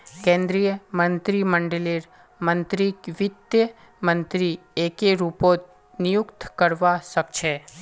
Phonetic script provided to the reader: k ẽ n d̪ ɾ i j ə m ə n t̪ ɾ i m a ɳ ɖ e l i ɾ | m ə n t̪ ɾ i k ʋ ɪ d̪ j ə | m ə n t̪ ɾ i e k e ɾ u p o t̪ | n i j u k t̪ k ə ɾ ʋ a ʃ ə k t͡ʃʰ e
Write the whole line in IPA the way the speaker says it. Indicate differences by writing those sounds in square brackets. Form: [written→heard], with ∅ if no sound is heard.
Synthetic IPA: k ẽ n d̪ ɾ i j ə m ə n t̪ ɾ i m [a→ə] ɳ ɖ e l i ɾ | m ə n t̪ ɾ i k ʋ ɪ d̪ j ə | m ə n t̪ ɾ i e k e ɾ u p o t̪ | n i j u k t̪ k ə ɾ ʋ a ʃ ə k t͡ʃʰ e

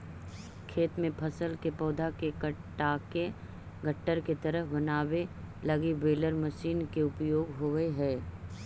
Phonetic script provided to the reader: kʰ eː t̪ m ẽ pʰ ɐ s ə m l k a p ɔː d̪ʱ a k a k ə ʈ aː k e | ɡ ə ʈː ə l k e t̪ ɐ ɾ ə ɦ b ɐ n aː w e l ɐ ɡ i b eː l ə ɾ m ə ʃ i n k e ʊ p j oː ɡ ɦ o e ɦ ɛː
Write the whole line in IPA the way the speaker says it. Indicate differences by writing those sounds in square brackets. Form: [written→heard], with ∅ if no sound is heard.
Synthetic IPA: kʰ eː t̪ m ẽ pʰ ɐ s ə [m→∅] l k [a→e] p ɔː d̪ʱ a k [a→e] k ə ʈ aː k e | ɡ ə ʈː ə [l→ɾ] k e t̪ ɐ ɾ ə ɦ b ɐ n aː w e l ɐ ɡ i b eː l ə ɾ m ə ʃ [i→iː] n k e ʊ p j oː ɡ ɦ o e ɦ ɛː

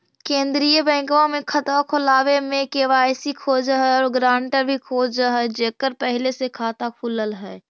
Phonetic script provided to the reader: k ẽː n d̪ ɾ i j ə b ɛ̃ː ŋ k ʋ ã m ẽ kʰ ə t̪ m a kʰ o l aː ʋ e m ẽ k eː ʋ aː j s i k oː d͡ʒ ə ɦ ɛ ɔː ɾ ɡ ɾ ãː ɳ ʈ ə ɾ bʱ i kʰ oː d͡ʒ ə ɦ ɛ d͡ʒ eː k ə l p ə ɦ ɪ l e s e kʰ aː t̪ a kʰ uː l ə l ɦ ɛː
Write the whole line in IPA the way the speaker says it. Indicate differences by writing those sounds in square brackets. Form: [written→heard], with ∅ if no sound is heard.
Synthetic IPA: k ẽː n d̪ ɾ i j ə b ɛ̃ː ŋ k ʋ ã m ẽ kʰ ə t̪ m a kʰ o l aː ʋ e m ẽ k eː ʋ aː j s i [k→kʰ] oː d͡ʒ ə ɦ ɛ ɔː ɾ ɡ ɾ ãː ɳ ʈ ə ɾ bʱ i kʰ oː d͡ʒ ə ɦ ɛ d͡ʒ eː k ə [l→ɾ] p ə ɦ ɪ l e s e kʰ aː t̪ a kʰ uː l ə l ɦ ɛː

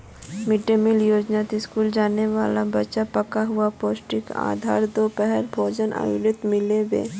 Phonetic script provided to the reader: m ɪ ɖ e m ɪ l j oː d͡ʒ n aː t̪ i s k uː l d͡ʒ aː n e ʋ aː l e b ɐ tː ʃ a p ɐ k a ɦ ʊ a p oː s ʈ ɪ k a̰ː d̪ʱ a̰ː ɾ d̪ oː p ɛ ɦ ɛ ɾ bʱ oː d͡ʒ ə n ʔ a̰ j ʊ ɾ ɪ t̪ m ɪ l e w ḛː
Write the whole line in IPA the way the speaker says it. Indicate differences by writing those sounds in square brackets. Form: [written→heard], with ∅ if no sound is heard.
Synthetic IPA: m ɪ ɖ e m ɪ l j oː d͡ʒ n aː t̪ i s k uː l d͡ʒ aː n e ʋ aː l [e→a] b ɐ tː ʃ a p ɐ k a ɦ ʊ a p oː s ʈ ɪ k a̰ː d̪ʱ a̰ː ɾ d̪ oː p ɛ ɦ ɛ ɾ bʱ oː d͡ʒ ə n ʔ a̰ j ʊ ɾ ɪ t̪ m ɪ l e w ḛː

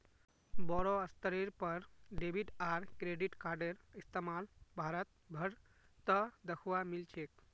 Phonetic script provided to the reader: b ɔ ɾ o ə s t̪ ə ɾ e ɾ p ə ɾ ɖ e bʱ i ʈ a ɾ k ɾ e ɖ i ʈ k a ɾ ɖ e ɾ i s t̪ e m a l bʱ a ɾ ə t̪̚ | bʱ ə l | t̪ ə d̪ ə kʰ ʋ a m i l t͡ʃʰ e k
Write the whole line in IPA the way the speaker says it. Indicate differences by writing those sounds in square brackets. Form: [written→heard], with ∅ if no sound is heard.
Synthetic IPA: b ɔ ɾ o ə s t̪ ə ɾ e ɾ p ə ɾ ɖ e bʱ i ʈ a ɾ k ɾ e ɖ i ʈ k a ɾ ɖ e ɾ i s t̪ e m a l bʱ a ɾ ə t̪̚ | bʱ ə [l→ɾ] | t̪ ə d̪ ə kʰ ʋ a m i l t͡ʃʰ e k

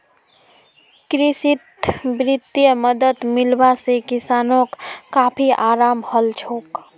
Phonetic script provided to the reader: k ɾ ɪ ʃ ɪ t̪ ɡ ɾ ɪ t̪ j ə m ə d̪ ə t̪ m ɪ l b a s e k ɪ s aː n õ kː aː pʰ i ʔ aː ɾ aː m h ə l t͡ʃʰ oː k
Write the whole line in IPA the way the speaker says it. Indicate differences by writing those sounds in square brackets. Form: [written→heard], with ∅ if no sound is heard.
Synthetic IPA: k ɾ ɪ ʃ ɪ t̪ [ɡ→b] ɾ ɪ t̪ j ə m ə d̪ ə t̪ m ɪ l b a s e k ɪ s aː n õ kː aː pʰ i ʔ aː ɾ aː m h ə l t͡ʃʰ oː k

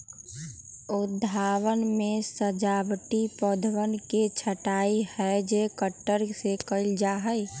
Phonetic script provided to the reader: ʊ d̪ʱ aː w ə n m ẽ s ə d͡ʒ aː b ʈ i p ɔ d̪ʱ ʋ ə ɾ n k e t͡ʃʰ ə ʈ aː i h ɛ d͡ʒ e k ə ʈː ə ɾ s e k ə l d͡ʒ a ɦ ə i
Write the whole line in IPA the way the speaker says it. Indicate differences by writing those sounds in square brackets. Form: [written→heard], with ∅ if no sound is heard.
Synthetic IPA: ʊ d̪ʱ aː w ə n m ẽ s ə d͡ʒ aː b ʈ i p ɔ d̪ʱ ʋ ə [ɾ→∅] n k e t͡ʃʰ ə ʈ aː i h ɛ d͡ʒ e k ə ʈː ə ɾ s e k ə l d͡ʒ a ɦ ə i

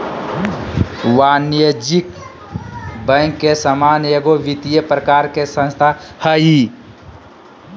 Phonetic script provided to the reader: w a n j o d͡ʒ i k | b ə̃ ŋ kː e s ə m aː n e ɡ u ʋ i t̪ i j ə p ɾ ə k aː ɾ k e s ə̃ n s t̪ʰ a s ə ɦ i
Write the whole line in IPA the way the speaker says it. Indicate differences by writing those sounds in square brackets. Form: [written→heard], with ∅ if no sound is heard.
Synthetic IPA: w a n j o d͡ʒ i k | b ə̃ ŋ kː e s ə m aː n e ɡ [u→o] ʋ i t̪ i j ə p ɾ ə k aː ɾ k e s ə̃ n s t̪ʰ a [s→h] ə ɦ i

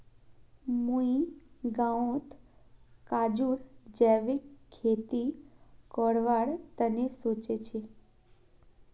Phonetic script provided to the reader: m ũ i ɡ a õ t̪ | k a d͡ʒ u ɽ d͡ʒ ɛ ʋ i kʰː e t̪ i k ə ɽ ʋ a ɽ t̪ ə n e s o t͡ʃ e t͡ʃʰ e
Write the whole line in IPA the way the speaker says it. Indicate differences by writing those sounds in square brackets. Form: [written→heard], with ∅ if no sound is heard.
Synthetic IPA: m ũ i ɡ a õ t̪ | k a d͡ʒ u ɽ d͡ʒ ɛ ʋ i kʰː e t̪ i k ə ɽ ʋ a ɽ t̪ ə n e s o t͡ʃ e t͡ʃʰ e

